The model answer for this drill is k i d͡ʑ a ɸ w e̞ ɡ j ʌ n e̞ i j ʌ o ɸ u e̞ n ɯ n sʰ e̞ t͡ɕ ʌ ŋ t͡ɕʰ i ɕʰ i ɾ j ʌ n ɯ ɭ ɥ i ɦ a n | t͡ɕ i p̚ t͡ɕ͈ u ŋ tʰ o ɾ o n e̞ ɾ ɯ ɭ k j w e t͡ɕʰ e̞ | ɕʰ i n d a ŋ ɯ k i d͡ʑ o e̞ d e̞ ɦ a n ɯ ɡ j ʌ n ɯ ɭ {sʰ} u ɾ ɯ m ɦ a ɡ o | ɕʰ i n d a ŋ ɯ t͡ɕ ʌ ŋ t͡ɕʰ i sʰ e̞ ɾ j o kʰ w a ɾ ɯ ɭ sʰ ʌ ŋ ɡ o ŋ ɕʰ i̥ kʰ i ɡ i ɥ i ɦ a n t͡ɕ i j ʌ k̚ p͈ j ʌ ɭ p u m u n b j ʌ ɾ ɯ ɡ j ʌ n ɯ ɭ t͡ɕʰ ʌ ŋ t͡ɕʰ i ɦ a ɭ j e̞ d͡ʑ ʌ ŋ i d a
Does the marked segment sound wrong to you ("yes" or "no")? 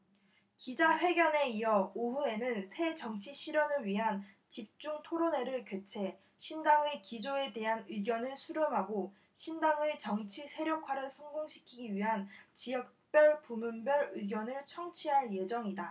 no